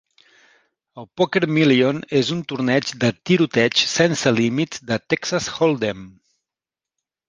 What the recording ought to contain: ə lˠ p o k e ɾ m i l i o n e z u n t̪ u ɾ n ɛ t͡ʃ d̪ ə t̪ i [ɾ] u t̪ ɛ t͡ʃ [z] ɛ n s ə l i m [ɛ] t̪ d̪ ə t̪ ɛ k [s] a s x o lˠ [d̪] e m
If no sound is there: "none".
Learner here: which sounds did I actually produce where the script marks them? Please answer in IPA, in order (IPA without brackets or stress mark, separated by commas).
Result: ɾ, s, i, s, d̪